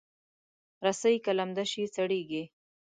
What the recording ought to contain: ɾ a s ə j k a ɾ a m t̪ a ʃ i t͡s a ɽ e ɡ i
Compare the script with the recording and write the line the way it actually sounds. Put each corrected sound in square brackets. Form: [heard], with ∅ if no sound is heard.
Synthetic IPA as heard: ɾ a s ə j k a [l] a m [d̪] a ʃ i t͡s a ɽ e ɡ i